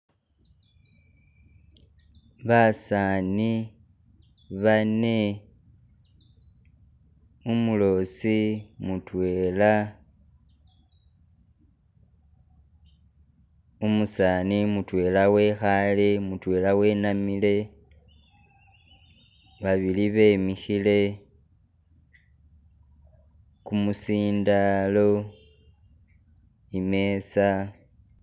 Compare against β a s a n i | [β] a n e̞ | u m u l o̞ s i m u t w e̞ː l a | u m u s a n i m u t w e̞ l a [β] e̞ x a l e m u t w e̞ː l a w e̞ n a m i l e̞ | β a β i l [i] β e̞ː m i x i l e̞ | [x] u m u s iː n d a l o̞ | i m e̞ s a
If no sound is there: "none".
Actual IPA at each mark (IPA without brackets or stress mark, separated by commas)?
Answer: β, w, i, k